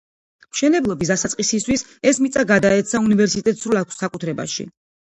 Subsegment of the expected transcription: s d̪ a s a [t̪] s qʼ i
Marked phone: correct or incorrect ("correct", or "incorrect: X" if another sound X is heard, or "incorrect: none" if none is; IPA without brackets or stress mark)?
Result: correct